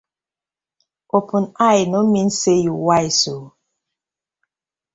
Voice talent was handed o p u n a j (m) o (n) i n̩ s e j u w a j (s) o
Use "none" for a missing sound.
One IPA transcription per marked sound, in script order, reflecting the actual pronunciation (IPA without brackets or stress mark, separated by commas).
n, m, s